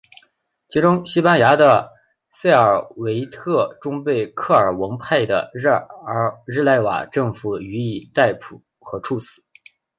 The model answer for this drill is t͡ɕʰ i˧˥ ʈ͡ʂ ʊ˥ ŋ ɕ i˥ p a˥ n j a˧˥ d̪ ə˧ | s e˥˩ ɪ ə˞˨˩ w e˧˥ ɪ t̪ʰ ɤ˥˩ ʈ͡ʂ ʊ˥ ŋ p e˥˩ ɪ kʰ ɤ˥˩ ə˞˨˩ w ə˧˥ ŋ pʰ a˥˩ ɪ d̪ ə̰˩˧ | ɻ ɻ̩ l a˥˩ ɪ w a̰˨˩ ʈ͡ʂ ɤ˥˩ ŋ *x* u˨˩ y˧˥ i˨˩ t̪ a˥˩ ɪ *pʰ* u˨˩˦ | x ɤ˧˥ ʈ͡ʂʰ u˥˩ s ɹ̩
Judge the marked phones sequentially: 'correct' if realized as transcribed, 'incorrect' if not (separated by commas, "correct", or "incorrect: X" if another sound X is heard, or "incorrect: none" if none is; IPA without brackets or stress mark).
incorrect: f, correct